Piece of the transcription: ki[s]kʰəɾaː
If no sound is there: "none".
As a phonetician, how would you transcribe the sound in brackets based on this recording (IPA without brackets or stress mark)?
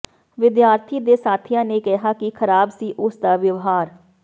none